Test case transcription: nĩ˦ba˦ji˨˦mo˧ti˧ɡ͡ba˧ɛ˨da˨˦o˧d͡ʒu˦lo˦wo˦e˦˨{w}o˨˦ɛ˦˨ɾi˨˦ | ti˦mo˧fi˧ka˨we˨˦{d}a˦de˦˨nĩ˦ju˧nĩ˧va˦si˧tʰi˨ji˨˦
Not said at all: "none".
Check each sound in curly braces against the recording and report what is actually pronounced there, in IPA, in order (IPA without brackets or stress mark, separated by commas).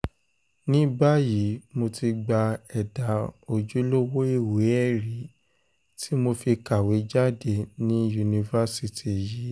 w, d͡ʒ